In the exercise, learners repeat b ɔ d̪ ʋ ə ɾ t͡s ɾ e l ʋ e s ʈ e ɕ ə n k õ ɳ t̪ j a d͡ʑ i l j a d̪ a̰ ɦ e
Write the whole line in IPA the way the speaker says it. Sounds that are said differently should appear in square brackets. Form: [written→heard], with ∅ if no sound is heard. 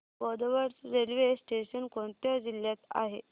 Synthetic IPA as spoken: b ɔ d̪ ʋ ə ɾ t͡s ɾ e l ʋ e s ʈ e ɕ ə n k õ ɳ t̪ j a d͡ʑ i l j a [d̪→t̪] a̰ ɦ e